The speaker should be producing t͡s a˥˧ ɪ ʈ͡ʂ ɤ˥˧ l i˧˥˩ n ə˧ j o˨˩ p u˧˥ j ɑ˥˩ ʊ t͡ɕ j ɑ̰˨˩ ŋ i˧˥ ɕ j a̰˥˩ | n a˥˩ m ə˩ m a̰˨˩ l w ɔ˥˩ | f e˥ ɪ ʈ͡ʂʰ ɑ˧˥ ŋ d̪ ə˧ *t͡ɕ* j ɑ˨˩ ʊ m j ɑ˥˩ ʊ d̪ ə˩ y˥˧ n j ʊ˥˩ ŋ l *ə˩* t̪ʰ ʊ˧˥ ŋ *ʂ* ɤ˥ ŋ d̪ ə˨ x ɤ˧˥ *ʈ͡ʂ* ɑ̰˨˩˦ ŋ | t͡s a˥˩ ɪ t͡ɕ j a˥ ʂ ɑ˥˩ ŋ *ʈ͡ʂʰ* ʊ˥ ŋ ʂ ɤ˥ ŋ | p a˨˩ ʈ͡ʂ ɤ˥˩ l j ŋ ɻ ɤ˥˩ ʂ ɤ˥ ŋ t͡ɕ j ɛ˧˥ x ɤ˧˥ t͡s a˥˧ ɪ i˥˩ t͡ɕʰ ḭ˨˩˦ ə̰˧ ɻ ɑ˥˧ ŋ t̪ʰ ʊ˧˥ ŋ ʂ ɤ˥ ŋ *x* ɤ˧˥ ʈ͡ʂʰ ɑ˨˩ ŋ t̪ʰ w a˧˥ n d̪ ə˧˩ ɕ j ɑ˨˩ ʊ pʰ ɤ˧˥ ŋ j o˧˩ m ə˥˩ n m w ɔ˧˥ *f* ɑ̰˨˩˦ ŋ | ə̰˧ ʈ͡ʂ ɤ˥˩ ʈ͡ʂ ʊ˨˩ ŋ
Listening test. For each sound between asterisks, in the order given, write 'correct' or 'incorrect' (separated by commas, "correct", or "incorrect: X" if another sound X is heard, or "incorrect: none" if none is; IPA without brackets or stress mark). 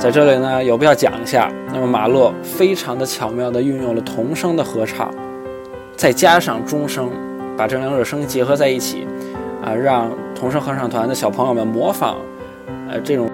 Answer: incorrect: t͡ɕʰ, correct, correct, incorrect: ʈ͡ʂʰ, incorrect: ʈ͡ʂ, correct, correct